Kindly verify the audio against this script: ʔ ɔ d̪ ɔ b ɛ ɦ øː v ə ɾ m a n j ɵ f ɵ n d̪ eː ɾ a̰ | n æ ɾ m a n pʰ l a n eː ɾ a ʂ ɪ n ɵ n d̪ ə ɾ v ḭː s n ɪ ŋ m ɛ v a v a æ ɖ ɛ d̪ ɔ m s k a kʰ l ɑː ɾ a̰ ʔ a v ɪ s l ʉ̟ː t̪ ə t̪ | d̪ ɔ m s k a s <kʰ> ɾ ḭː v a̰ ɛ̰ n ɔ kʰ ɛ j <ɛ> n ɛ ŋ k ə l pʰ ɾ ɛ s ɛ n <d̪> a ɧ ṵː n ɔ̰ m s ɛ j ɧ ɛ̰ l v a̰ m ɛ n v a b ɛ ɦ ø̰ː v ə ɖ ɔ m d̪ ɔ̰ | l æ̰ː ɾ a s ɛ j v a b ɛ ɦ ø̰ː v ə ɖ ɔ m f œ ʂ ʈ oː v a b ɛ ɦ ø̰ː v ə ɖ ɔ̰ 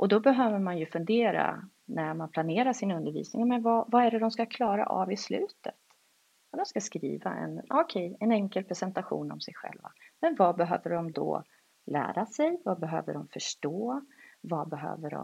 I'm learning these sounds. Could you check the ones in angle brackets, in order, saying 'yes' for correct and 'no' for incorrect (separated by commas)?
no, yes, no